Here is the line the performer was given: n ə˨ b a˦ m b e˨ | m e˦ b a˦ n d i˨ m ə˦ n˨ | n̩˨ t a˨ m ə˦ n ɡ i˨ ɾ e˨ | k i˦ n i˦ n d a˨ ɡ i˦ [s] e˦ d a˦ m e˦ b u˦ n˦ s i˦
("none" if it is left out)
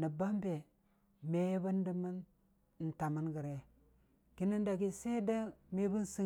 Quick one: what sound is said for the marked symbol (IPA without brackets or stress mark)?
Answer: s